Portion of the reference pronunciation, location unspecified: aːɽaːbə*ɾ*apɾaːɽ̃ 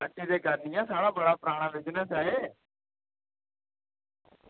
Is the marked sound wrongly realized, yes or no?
yes